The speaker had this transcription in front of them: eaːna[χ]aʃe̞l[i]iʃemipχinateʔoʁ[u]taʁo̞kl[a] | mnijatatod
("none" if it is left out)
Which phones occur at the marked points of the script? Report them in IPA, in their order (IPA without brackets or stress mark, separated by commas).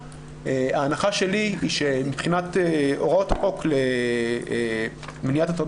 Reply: χ, i, o, e